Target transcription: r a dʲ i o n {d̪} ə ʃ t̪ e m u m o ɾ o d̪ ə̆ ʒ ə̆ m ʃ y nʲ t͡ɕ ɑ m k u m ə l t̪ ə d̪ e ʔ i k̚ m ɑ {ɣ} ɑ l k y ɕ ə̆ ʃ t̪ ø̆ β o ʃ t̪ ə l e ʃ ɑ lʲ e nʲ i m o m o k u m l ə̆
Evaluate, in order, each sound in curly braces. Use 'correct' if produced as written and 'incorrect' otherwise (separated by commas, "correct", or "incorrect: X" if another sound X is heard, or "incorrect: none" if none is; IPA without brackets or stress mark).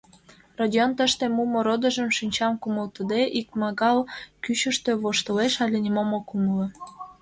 incorrect: t̪, correct